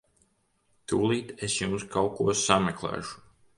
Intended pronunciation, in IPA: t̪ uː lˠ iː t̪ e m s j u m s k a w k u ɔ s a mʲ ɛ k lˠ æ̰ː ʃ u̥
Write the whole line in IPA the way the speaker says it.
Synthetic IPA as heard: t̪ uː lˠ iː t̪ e s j u m s k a w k u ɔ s a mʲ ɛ k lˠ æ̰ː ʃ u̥